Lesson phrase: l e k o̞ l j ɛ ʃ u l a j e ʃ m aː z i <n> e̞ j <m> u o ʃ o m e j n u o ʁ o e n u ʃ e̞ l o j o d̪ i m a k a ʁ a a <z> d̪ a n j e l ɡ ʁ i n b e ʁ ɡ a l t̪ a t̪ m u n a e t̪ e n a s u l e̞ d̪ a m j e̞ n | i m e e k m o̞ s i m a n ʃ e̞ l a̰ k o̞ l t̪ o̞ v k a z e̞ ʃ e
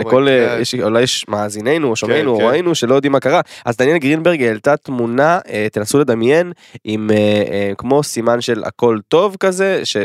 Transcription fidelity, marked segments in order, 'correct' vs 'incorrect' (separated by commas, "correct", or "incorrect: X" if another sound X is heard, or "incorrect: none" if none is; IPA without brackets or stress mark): correct, incorrect: n, correct